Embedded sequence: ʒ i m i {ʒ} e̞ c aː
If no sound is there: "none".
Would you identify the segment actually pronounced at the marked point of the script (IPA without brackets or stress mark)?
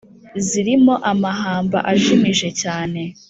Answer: ʒ